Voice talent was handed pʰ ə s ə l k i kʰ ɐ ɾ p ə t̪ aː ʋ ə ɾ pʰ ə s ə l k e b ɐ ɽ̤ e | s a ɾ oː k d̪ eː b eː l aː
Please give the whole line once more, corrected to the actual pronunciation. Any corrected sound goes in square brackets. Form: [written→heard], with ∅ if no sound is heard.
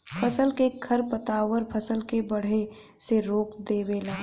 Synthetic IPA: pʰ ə s ə l k [i→e] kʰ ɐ ɾ p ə t̪ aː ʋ ə ɾ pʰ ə s ə l k e b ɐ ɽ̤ e | s [a→e] ɾ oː k d̪ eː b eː l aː